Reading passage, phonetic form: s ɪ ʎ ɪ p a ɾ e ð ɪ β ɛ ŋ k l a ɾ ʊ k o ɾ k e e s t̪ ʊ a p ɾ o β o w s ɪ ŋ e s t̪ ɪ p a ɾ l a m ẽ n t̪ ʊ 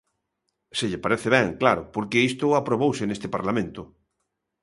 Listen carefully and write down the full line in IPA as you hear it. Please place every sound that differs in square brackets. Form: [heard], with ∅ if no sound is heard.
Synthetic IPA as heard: s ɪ ʎ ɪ p a ɾ e [θ] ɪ β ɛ ŋ k l a ɾ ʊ [p] o ɾ k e [i] s t̪ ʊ a p ɾ o β o w s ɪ [n] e s t̪ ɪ p a ɾ l a m ẽ n t̪ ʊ